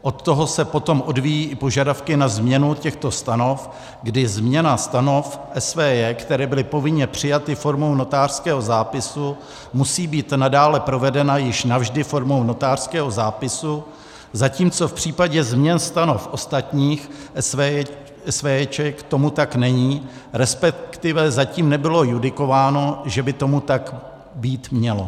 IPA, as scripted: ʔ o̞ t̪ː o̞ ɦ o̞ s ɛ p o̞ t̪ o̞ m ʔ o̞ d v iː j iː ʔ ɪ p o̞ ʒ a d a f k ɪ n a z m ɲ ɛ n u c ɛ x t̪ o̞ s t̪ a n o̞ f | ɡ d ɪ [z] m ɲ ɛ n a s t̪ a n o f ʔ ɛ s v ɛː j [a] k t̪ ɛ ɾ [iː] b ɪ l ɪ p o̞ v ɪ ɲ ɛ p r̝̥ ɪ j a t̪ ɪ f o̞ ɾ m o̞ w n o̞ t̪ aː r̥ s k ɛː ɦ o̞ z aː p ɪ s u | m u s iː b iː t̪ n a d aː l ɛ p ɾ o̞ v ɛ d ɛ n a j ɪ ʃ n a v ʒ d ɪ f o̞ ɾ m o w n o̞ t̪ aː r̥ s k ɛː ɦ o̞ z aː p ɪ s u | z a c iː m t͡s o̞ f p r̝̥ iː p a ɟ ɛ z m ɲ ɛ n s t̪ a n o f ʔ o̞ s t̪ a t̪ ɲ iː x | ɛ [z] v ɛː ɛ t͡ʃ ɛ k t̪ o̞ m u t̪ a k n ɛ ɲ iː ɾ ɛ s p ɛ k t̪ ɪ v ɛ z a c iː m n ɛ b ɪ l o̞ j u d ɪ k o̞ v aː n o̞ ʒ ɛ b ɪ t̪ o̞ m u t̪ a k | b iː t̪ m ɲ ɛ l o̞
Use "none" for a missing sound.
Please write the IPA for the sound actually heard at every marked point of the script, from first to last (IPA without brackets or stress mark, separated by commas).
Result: z, ɛ, ɛː, s